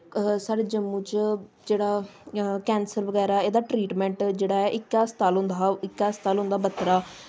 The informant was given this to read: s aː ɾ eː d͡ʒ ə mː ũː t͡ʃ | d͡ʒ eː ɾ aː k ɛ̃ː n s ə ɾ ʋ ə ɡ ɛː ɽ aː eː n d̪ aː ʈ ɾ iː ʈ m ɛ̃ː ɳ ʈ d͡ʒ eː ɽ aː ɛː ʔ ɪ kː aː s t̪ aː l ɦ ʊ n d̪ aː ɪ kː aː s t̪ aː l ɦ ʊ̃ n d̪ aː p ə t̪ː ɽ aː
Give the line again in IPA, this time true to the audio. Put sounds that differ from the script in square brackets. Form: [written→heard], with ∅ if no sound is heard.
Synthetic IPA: s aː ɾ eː d͡ʒ ə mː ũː t͡ʃ | d͡ʒ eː [ɾ→ɽ] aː k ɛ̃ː n s ə ɾ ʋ ə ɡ ɛː [ɽ→ɾ] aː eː [n→∅] d̪ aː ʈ ɾ iː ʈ m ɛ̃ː ɳ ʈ d͡ʒ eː ɽ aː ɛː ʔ ɪ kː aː s t̪ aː l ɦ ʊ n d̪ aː ɪ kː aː s t̪ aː l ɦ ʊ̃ n d̪ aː [p→b] ə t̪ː [ɽ→ɾ] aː